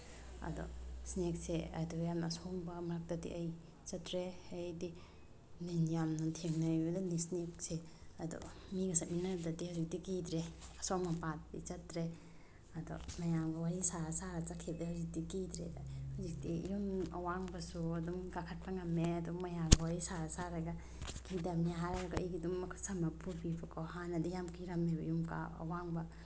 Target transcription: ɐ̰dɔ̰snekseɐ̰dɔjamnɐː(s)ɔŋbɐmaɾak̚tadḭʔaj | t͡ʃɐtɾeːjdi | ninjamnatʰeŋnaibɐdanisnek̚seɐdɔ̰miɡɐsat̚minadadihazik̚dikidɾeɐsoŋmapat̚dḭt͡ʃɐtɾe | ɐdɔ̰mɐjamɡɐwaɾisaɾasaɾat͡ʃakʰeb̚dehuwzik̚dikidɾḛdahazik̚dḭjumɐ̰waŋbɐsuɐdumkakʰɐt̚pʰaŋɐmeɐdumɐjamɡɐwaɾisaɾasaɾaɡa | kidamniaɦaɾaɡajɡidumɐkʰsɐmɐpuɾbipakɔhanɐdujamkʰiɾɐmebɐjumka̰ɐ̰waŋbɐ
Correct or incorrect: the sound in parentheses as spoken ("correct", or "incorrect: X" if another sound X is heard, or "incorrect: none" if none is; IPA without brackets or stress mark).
correct